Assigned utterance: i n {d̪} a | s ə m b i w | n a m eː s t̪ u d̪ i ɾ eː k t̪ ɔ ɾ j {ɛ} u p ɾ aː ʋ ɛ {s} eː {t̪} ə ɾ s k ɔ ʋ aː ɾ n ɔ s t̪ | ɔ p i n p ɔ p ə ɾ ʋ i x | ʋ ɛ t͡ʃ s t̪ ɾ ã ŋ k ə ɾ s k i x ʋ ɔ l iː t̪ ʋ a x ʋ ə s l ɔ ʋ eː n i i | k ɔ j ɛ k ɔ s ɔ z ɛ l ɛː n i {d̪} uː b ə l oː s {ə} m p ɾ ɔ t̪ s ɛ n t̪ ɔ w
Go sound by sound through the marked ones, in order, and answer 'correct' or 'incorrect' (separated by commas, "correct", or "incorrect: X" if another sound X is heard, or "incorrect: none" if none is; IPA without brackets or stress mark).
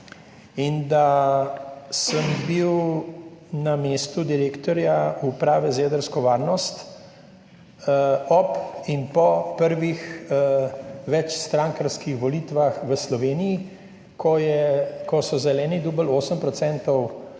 correct, incorrect: a, incorrect: z, incorrect: d̪, correct, correct